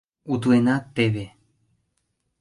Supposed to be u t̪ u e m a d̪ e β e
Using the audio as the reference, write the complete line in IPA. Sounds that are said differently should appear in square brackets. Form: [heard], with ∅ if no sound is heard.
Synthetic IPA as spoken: u t̪ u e [n] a [t̪] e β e